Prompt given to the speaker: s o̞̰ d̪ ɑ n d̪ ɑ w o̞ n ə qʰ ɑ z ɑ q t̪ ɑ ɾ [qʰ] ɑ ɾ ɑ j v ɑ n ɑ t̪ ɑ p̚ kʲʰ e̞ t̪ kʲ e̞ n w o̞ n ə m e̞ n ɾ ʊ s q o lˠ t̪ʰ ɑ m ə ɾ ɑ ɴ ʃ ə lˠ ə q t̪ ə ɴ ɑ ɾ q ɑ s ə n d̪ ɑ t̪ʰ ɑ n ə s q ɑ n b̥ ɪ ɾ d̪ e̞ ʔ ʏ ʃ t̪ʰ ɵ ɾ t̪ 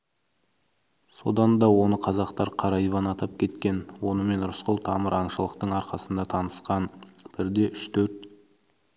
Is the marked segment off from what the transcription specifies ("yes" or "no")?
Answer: no